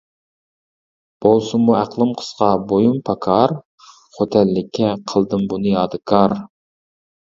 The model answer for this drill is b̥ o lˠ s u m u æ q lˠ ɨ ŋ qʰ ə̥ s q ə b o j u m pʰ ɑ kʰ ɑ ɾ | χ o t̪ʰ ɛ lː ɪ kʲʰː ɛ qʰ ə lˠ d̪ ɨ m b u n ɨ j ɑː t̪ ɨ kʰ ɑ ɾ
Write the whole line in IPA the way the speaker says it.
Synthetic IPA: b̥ o lˠ s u m u æ q lˠ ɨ m qʰ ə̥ s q ɑ b o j u m pʰ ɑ kʰ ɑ ɾ | χ o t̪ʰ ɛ lː ɪ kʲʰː ɛ qʰ ə lˠ d̪ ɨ m b u n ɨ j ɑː d̪ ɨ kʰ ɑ ɾ